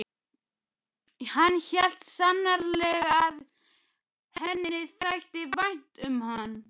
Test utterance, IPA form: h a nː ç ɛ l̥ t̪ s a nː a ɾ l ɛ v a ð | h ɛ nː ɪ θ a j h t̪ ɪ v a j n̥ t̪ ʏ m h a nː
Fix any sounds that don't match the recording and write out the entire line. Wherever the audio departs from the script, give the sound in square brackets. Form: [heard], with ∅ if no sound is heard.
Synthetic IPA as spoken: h a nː ç ɛ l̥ t̪ s a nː a ɾ l ɛ [ɣ] a ð | h ɛ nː ɪ θ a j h t̪ ɪ v a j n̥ t̪ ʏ m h a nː